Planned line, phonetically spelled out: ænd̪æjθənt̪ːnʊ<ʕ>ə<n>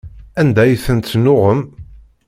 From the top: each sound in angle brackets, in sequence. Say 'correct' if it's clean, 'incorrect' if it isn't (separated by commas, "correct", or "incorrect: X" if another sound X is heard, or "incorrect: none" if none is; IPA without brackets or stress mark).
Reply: incorrect: ʁ, incorrect: m